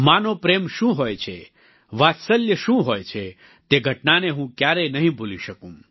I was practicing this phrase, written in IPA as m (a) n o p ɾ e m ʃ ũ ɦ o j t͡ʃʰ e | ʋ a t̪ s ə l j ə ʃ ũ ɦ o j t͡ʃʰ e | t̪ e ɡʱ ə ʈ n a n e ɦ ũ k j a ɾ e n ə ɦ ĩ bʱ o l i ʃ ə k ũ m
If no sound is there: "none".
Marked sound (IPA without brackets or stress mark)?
a